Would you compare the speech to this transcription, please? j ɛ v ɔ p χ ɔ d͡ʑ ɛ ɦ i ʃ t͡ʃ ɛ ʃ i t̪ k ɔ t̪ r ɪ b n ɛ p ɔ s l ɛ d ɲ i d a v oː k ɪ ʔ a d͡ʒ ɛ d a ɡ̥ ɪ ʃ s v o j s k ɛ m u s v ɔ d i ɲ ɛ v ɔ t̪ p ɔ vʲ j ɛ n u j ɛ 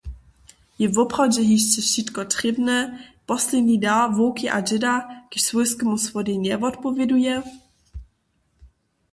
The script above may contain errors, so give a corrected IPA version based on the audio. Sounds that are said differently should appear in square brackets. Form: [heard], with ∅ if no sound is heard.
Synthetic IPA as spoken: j ɛ v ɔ p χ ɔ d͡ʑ ɛ ɦ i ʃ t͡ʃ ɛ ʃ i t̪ k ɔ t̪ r ɪ b n ɛ p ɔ s l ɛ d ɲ i d a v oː k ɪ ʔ a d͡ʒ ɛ d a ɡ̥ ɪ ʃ s v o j s k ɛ m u s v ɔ d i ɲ ɛ v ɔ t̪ p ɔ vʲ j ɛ [d] u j ɛ